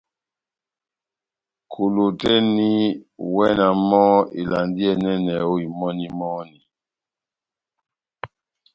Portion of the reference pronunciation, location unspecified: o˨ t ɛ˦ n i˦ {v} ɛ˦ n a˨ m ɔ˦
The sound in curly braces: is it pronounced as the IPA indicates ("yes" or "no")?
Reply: no